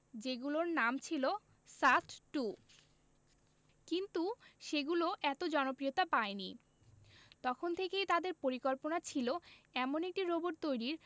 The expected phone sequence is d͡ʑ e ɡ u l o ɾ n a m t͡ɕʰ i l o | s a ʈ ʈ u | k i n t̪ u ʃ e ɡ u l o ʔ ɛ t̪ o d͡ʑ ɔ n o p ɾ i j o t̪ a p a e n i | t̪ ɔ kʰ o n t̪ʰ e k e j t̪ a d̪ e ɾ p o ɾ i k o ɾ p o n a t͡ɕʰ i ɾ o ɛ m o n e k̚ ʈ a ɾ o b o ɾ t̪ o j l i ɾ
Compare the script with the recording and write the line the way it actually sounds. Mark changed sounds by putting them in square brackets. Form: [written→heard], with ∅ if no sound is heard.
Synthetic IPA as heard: d͡ʑ e ɡ u l o ɾ n a m t͡ɕʰ i l o | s a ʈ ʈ u | k i n t̪ u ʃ e ɡ u l o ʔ ɛ t̪ o d͡ʑ ɔ n o p ɾ i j o t̪ a p a e n i | t̪ ɔ kʰ o n t̪ʰ e k e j t̪ a d̪ e ɾ p o ɾ i k o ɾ p o n a t͡ɕʰ i [ɾ→l] o ɛ m o n e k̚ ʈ [a→i] ɾ o b o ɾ t̪ o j [l→ɾ] i ɾ